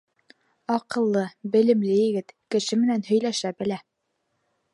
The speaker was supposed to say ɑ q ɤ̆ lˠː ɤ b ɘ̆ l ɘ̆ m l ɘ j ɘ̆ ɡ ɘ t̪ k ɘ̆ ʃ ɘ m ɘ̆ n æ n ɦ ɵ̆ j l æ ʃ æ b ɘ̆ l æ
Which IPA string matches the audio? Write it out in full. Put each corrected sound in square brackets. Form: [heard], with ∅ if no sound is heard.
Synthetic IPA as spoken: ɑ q ɤ̆ lˠː ɤ b ɘ̆ l ɘ̆ m l ɘ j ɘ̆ ɡ ɘ t̪ k ɘ̆ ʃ ɘ m ɘ̆ n æ n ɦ ɵ̆ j l æ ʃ æ b ɘ̆ l æ